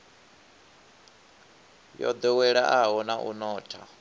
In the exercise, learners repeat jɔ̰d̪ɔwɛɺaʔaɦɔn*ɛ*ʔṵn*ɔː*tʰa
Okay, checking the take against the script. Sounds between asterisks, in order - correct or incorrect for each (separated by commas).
incorrect, correct